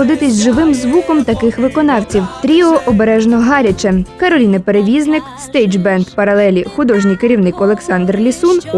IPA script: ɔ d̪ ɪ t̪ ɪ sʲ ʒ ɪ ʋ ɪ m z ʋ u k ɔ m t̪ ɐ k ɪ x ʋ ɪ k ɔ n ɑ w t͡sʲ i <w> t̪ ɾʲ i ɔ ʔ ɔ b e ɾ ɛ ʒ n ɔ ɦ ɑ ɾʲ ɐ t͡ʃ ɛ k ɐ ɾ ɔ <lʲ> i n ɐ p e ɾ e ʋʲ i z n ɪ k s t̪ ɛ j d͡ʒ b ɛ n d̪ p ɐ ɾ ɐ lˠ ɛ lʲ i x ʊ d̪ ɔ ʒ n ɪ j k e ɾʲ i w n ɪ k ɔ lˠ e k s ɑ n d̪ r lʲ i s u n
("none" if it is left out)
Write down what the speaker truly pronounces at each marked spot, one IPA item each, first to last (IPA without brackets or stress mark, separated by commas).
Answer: w, lʲ